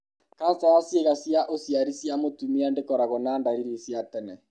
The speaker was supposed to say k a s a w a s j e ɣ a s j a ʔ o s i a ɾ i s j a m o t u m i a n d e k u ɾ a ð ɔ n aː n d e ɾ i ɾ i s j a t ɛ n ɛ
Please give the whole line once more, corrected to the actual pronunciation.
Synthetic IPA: k a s a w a s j e ɣ a s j a ʔ o s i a ɾ i s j a m o t u m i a n d e k ɔ ɾ a ɣ ɔ n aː n d a ɾ i ɾ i s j a t ɛ n ɛ